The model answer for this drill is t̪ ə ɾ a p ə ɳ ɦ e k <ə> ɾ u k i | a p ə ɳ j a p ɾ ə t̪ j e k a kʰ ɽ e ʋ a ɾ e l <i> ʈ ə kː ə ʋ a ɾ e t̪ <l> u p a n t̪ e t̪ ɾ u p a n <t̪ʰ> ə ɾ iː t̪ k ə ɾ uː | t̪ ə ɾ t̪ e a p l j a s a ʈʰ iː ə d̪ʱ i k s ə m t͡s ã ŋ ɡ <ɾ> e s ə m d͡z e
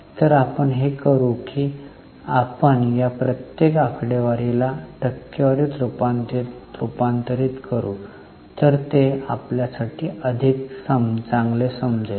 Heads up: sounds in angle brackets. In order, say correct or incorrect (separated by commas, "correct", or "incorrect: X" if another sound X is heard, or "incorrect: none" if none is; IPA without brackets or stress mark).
correct, incorrect: a, incorrect: ɾ, incorrect: t̪, incorrect: l